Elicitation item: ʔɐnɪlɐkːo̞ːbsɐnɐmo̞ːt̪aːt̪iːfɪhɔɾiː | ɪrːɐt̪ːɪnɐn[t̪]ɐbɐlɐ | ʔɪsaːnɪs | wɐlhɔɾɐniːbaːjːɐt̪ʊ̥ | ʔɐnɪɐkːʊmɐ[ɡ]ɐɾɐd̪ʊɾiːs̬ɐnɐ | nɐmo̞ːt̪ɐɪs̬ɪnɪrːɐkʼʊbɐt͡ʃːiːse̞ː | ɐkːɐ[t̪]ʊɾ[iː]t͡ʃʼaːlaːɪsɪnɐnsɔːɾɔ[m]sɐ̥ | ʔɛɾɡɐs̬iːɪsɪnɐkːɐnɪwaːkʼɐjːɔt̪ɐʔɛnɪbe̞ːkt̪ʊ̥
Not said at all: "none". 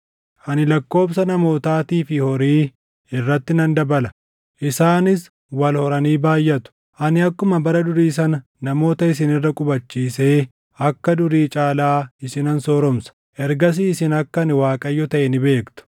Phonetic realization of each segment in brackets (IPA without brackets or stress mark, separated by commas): d̪, b, d̪, iː, m